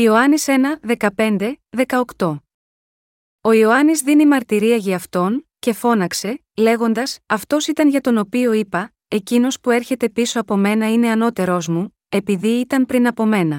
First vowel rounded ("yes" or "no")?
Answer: no